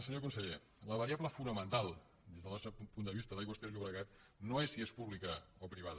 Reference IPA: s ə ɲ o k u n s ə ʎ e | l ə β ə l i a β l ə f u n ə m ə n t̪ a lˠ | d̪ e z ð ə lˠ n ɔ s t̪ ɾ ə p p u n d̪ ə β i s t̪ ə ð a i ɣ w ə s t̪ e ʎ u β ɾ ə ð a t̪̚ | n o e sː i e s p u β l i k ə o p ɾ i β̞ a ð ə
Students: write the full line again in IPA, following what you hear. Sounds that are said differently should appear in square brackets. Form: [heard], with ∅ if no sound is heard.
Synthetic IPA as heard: s ə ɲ o k u n s ə ʎ e | l ə β ə [ɾ] i a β l ə f u n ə m ə n t̪ a lˠ | d̪ e z ð ə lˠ n ɔ s t̪ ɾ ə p p u n d̪ ə β i s t̪ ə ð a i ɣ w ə s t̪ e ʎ u β ɾ ə [ɣ] a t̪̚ | n o e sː i e s p u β l i k ə o p ɾ i β̞ a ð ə